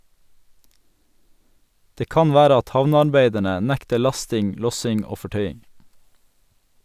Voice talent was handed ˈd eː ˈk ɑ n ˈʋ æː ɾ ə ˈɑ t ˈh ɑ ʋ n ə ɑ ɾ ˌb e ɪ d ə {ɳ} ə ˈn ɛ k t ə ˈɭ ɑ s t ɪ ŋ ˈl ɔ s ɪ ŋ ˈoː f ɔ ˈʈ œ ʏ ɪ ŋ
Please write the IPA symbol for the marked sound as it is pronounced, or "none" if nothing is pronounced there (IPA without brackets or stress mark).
ɳ